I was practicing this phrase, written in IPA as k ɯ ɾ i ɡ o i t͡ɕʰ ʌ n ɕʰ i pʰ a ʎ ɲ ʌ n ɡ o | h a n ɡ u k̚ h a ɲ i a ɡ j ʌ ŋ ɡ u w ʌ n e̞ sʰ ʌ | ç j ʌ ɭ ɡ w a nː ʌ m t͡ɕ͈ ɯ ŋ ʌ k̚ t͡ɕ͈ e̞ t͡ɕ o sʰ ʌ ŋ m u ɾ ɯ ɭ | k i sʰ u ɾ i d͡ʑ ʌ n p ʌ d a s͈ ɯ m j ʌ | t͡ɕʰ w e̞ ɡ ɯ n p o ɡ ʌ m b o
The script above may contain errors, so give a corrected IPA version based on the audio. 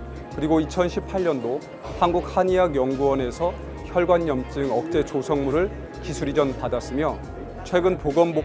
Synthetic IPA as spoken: k ɯ ɾ i ɡ o i t͡ɕʰ ʌ n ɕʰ i pʰ a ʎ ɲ ʌ n d o | h a n ɡ u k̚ h a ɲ i a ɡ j ʌ ŋ ɡ u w ʌ n e̞ sʰ ʌ | ç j ʌ ɭ ɡ w a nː ʌ m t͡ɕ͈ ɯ ŋ ʌ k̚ t͡ɕ͈ e̞ t͡ɕ o sʰ ʌ ŋ m u ɾ ɯ ɭ | k i sʰ u ɾ i d͡ʑ ʌ n p a d a s͈ ɯ m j ʌ | t͡ɕʰ w e̞ ɡ ɯ n p o ɡ ʌ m b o

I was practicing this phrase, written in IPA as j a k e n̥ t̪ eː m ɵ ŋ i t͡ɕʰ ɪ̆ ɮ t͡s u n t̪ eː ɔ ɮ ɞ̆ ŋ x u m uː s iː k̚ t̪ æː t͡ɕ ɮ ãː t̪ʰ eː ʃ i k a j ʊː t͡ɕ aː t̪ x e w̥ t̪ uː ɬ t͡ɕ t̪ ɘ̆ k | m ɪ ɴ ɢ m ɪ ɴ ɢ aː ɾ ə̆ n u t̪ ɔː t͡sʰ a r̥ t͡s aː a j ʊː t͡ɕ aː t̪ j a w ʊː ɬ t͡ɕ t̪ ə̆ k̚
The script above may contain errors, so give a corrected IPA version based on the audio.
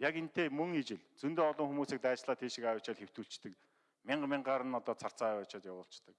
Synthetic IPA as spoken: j a k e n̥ t̪ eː m ɵ ŋ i t͡ɕ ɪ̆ ɮ t͡s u n t̪ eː ɔ ɮ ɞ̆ ŋ x u m uː s iː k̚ t̪ æː t͡ɕ ɮ aː t̪ʰ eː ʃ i k a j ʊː t͡ɕ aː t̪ x e w̥ t̪ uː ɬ t͡ɕ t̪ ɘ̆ k | m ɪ ɴ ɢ m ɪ ɴ ɢ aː ɾ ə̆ n ɔ t̪ ɔː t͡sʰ a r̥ t͡s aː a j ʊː t͡ɕ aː t̪ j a w ʊː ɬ t͡ɕ t̪ ə̆ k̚

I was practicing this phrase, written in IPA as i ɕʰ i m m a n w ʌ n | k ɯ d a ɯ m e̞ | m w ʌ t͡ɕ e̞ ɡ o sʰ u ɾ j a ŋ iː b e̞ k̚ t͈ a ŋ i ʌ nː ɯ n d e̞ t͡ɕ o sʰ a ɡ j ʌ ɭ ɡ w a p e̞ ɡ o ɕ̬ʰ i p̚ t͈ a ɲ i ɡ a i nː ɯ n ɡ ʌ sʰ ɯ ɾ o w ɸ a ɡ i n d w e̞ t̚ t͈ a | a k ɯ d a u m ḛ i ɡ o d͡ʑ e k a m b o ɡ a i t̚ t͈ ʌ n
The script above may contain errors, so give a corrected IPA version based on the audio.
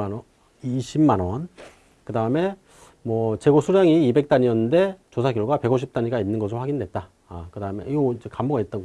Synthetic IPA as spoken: i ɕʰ i m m a n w ʌ n | k ɯ d a ɯ m e̞ | m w ʌ t͡ɕ e̞ ɡ o sʰ u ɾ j a ŋ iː b e̞ k̚ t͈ a ɲ i ʌ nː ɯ n d e̞ t͡ɕ o sʰ a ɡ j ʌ ɭ ɡ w a p e̞ ɡ o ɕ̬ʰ i p̚ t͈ a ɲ i ɡ a i nː ɯ n ɡ ʌ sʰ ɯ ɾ o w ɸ a ɡ i n d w e̞ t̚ t͈ a | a k ɯ d a ɯ m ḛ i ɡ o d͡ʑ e k a m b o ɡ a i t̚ t͈ ʌ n

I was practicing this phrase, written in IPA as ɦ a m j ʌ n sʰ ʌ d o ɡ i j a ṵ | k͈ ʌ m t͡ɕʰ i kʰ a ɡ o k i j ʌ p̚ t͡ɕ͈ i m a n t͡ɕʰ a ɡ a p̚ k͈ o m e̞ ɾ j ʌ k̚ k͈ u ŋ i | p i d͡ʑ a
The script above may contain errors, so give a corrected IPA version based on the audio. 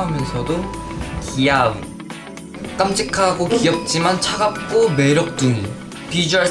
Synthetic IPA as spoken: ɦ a m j ʌ n sʰ ʌ d o k i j a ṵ | k͈ a m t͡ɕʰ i kʰ a ɡ o k i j ʌ k̚ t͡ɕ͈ i m a n t͡ɕʰ a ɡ a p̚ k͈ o m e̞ ɾ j ʌ k̚ t͈ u ŋ i | p i d͡ʑ a

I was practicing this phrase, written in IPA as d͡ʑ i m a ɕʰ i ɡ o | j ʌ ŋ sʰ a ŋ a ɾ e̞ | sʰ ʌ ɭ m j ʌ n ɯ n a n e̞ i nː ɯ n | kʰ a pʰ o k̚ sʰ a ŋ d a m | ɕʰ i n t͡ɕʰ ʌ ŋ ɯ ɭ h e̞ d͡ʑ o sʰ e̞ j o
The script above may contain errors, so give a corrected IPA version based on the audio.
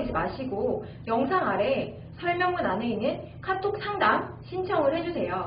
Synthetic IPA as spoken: d͡ʑ i m a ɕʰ i ɡ o | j ʌ ŋ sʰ a ŋ a ɾ e̞ | sʰ ʌ ɭ m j ʌ ŋ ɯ n a n e̞ i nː ɯ n | kʰ a tʰ o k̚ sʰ a ŋ d a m | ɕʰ i n t͡ɕʰ ʌ ŋ ɯ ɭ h e̞ d͡ʑ u sʰ e̞ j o

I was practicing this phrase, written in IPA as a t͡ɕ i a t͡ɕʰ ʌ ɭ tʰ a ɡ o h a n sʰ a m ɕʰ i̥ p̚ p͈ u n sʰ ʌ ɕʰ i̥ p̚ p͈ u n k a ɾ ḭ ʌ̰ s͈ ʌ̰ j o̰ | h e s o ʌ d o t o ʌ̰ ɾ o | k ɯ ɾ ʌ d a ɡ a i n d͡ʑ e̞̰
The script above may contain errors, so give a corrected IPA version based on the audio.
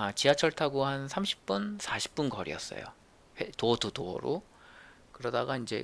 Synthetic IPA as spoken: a t͡ɕ i a t͡ɕʰ ʌ ɭ tʰ a ɡ o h a n sʰ a m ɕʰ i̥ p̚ p͈ u n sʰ a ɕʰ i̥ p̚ p͈ u n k ʌ ɾ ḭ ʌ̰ s͈ ʌ̰ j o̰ | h e t o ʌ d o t o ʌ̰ ɾ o | k ɯ ɾ ʌ d a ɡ a i n d͡ʑ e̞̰

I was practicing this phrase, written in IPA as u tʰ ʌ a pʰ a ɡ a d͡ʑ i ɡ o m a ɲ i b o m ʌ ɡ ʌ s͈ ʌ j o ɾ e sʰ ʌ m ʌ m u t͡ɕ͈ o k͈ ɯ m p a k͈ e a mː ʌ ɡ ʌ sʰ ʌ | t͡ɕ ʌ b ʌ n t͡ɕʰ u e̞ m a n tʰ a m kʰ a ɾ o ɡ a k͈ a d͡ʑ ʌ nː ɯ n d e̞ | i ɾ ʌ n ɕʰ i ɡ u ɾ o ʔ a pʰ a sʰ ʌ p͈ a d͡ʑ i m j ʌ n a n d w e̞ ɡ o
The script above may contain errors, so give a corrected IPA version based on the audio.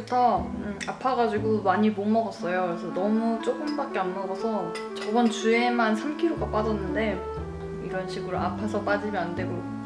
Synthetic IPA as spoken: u tʰ ʌ a pʰ a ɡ a d͡ʑ i ɡ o m a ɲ i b o m ʌ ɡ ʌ s͈ ʌ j o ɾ e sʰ ʌ n ʌ m u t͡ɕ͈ o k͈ ɯ m b a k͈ e a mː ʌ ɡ ʌ sʰ ʌ | t͡ɕ ʌ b ʌ n t͡ɕ u e̞ m a n sʰ a m kʰ i ɾ o ɡ a p͈ a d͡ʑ ʌ nː ɯ n d e̞ | i ɾ ʌ n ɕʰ i ɡ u ɾ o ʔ a pʰ a sʰ ʌ p͈ a d͡ʑ i m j ʌ n a n d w e̞ ɡ o

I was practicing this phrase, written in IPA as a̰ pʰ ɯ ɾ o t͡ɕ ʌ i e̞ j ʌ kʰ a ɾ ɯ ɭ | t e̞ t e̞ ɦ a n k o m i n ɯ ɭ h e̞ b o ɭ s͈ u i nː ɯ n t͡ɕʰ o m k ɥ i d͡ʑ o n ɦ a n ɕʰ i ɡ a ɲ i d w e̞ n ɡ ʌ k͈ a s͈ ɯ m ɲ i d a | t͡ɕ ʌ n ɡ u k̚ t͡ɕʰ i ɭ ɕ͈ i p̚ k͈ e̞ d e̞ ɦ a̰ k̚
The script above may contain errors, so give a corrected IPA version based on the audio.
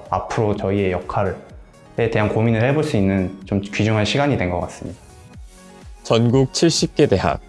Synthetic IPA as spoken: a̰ pʰ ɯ ɾ o t͡ɕ ʌ i e̞ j ʌ kʰ a ɾ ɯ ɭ | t e̞ t e̞ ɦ a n k o m i n ɯ ɭ h e̞ b o ɭ s͈ u i nː ɯ n t͡ɕ o m k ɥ i d͡ʑ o ŋ ɦ a n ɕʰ i ɡ a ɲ i d w e̞ n ɡ ʌ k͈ a s͈ ɯ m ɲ i d a | t͡ɕ ʌ n ɡ u k̚ t͡ɕʰ i ɭ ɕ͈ i p̚ k͈ e̞ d e̞ ɦ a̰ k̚

